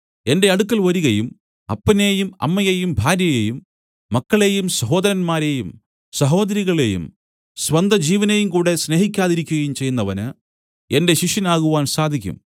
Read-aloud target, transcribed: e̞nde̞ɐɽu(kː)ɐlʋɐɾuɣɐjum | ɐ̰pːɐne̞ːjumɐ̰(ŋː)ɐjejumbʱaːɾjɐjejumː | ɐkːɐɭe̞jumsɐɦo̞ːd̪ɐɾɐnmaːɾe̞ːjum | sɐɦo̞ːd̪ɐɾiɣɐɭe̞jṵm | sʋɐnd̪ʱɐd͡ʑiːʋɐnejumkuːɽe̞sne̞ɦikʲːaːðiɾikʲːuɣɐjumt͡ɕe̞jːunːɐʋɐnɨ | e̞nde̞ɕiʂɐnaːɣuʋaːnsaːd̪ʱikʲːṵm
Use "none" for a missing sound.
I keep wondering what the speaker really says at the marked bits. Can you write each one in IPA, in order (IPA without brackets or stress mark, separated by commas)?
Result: kː, mː